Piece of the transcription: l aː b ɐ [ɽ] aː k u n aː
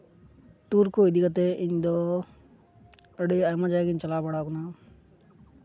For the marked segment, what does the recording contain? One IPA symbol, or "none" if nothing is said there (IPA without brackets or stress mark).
ɽ